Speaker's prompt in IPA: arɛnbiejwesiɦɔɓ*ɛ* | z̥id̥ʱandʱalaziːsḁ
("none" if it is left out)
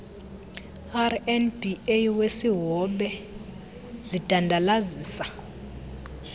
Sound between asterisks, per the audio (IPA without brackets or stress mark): ɛ